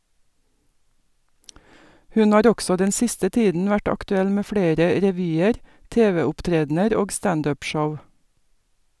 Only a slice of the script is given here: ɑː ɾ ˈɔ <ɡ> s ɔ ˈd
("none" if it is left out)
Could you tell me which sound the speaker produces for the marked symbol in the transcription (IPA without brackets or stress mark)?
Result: ɡ